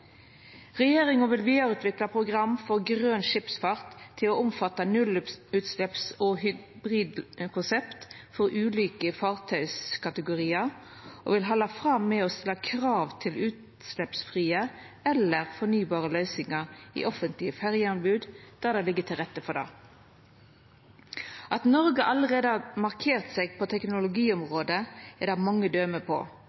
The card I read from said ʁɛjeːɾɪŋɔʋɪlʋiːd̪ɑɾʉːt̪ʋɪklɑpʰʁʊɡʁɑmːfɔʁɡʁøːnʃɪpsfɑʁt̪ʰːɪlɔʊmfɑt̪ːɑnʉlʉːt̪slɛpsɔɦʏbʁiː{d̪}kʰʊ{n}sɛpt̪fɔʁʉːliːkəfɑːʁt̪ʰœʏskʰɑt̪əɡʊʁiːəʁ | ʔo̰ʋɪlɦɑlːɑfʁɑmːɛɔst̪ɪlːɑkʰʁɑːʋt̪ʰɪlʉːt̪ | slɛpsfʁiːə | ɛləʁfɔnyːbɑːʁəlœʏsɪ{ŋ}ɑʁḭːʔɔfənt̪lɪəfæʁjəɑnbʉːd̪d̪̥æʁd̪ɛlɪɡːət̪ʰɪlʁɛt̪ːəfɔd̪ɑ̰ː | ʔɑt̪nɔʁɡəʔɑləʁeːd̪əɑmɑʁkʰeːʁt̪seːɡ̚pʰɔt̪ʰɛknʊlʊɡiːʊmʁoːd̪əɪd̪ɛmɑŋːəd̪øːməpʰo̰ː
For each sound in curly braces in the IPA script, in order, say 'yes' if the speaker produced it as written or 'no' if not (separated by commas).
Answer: yes, yes, yes